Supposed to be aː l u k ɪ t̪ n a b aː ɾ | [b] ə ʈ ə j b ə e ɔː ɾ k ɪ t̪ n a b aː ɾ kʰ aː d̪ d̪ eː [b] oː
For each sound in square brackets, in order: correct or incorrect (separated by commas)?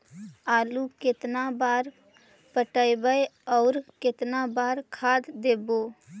incorrect, correct